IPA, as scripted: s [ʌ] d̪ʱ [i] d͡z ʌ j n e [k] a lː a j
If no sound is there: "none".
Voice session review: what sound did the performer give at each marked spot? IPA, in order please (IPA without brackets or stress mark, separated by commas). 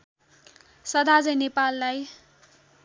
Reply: ʌ, a, p